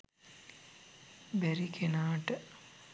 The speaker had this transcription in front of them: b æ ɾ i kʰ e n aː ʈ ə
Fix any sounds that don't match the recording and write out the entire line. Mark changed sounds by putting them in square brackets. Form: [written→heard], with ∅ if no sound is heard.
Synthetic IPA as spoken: b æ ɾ i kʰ e n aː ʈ ə